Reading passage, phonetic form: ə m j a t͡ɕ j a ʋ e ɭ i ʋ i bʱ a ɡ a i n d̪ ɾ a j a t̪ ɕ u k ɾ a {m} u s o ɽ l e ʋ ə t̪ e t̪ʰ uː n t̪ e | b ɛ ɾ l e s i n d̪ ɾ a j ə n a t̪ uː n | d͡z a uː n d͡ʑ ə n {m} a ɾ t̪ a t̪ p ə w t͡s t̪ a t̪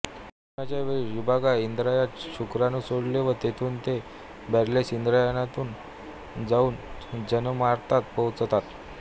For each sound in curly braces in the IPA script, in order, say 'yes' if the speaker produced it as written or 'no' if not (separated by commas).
no, yes